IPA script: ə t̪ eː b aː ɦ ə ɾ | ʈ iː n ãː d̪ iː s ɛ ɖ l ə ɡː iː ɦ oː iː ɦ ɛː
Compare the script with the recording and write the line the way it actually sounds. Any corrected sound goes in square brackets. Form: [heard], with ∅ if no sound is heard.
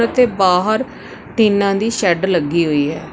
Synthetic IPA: ə t̪ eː b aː ɦ ə ɾ | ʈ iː n ãː d̪ iː [ʃ] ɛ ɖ l ə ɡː iː ɦ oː iː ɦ ɛː